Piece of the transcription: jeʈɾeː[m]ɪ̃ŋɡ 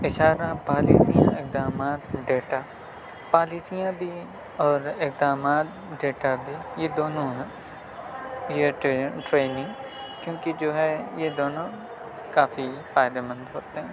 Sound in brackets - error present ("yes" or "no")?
yes